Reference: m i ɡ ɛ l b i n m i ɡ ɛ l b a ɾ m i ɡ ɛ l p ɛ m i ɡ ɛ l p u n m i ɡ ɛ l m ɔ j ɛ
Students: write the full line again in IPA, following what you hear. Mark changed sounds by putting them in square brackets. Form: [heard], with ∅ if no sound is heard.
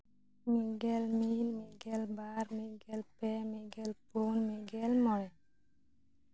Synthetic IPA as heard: m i ɡ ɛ l [m] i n m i ɡ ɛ l b a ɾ m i ɡ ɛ l p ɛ m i ɡ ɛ l p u n m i ɡ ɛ l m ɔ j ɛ